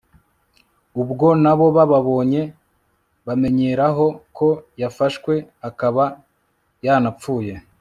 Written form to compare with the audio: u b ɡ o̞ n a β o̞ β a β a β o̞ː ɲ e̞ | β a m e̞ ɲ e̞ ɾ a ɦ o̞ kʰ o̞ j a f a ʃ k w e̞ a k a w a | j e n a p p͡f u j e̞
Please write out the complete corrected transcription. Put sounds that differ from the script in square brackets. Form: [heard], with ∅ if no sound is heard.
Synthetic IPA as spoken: u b ɡ o̞ n a β o̞ β a β a β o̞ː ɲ e̞ | β a m e̞ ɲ e̞ ɾ a ɦ o̞ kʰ o̞ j a f a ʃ k w e̞ a k a [β] a | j [a] n a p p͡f [uː] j e̞